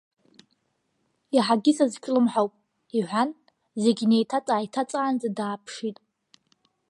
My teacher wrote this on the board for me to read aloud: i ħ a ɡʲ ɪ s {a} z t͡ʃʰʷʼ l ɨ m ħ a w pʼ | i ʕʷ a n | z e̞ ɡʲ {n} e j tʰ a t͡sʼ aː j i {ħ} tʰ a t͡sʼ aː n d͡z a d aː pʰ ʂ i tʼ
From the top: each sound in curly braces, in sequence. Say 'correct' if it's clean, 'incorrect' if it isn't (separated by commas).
correct, correct, incorrect